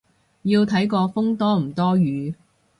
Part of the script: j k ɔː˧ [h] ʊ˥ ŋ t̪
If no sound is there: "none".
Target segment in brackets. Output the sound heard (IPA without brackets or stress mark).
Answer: f